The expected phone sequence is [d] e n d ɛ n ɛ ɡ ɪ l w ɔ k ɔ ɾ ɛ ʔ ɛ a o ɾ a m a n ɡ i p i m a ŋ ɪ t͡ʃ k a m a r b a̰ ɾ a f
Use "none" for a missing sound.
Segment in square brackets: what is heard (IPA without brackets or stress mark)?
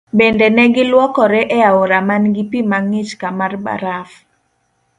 b